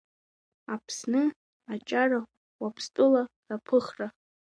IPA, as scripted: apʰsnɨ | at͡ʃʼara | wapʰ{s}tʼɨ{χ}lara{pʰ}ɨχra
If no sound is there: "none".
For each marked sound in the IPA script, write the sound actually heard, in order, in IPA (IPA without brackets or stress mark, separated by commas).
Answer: s, none, pʰ